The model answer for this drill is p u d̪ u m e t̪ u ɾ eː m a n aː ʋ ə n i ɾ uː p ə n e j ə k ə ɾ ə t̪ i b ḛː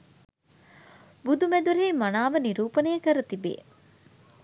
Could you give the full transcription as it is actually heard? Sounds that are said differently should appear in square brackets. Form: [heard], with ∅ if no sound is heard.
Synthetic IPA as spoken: [b] u d̪ u m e [d̪] u ɾ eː m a n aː ʋ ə n i ɾ uː p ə n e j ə k ə ɾ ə t̪ i b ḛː